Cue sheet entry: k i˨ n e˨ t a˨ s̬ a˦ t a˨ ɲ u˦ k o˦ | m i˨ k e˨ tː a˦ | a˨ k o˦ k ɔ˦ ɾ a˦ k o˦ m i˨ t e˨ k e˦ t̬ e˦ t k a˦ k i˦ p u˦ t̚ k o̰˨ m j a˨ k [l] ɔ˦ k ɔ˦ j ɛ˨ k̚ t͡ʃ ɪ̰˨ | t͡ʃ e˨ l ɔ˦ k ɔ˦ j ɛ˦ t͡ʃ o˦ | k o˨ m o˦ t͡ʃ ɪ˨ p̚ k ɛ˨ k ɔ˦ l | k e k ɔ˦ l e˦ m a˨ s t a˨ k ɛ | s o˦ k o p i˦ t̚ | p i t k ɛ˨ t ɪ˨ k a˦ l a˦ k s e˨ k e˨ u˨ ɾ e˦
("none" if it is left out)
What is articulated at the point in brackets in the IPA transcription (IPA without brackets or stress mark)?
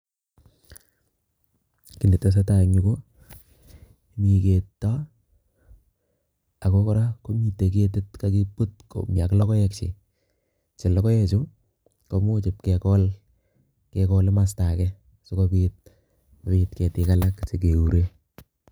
l